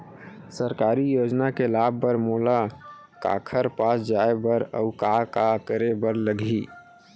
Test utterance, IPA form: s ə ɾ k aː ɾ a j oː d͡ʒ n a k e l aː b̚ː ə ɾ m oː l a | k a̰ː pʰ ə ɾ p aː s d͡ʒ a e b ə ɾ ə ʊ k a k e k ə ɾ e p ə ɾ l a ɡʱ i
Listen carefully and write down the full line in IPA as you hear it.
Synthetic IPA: s ə ɾ k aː ɾ i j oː d͡ʒ n a k e l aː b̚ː ə ɾ m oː l a | k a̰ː kʰ ə ɾ p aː s d͡ʒ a e b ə ɾ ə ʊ k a k a k ə ɾ e b ə ɾ l ə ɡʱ i